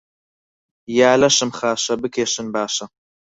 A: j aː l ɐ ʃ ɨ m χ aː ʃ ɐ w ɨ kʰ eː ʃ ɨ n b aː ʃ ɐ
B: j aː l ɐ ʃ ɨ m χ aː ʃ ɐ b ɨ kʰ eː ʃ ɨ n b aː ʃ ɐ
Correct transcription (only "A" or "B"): B